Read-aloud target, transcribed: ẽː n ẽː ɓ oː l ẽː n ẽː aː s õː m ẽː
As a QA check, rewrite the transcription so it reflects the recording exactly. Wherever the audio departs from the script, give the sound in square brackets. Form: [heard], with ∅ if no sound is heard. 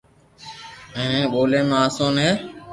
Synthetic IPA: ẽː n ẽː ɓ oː l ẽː [m] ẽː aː s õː [n] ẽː